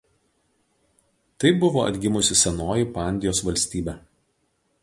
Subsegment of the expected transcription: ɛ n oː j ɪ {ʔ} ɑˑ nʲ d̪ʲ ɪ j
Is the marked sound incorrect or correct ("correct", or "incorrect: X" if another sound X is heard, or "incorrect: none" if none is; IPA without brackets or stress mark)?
incorrect: p